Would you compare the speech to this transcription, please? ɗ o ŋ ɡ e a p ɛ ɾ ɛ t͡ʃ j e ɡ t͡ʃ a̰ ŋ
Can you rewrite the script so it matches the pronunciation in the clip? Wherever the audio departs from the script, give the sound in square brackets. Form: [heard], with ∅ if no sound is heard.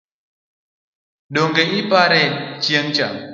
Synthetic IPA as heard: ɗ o ŋ ɡ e [i] p [a] ɾ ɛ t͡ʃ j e [ŋ] t͡ʃ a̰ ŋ